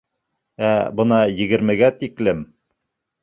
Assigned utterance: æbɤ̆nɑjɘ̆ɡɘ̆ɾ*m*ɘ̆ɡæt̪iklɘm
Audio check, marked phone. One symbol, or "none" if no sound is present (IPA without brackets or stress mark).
m